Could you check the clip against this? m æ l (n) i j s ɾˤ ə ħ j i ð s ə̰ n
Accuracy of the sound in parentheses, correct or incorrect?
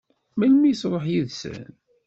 incorrect